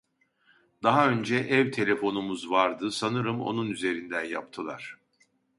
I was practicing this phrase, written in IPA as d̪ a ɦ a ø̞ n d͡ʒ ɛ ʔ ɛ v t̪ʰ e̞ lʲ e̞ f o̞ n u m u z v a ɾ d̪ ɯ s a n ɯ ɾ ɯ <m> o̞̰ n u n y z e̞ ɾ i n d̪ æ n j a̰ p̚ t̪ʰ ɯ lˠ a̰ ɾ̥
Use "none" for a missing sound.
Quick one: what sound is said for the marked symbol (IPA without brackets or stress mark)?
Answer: m